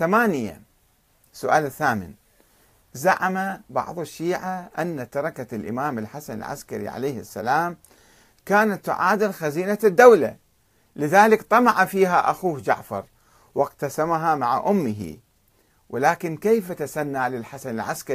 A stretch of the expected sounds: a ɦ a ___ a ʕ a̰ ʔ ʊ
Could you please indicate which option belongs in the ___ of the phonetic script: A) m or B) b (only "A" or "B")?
A